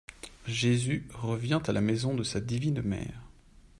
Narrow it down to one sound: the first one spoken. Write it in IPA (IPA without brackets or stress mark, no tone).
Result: ʒ